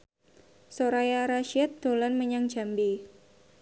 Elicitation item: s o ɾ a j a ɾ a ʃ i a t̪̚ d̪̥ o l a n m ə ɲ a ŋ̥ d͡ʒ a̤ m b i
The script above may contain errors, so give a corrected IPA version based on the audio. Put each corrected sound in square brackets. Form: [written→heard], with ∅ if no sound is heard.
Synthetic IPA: s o ɾ a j a ɾ a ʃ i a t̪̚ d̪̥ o l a n m ə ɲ a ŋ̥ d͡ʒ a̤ m b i